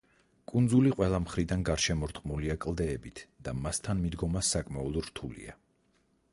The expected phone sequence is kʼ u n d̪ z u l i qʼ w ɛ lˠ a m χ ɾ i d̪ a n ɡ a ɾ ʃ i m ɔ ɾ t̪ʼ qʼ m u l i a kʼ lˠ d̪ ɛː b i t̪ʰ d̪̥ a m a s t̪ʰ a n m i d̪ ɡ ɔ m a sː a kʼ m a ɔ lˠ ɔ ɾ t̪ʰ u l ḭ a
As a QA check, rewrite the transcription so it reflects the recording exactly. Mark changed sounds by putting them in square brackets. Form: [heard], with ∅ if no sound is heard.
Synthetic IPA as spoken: kʼ u n d̪ z u l i qʼ w ɛ lˠ a m χ ɾ i d̪ a n ɡ a ɾ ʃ [ɛ] m ɔ ɾ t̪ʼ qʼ m u l i a kʼ lˠ d̪ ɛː b i t̪ʰ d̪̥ a m a s t̪ʰ a n m i d̪ ɡ ɔ m a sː a kʼ m a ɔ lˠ ɔ ɾ t̪ʰ u l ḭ a